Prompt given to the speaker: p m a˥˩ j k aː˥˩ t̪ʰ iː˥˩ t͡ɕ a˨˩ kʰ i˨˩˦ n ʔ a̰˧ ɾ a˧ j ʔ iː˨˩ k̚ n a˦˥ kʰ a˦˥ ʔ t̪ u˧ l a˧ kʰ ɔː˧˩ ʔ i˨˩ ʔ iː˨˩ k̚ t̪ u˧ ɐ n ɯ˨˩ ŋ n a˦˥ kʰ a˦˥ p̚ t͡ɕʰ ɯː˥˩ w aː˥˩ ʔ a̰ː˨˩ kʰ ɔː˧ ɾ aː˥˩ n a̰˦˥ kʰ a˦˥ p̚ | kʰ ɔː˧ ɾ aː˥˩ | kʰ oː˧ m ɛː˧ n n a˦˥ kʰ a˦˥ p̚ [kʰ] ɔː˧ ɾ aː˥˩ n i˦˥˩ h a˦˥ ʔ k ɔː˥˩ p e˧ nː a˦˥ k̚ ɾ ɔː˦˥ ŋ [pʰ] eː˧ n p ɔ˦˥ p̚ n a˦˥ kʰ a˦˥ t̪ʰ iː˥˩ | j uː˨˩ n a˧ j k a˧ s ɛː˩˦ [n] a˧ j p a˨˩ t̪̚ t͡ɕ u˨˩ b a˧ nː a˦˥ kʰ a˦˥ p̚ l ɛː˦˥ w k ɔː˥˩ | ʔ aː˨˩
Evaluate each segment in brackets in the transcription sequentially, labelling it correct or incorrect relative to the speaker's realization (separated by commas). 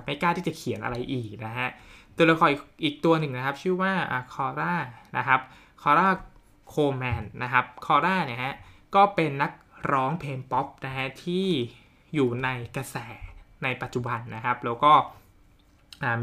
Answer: correct, correct, correct